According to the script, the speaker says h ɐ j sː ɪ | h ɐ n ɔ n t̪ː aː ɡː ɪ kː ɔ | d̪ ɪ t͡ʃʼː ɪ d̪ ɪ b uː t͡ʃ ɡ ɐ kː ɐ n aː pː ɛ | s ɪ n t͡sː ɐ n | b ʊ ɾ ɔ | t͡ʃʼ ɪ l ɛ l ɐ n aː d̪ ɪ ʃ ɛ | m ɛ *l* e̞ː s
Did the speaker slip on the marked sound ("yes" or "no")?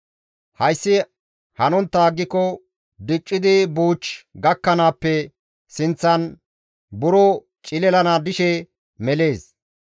no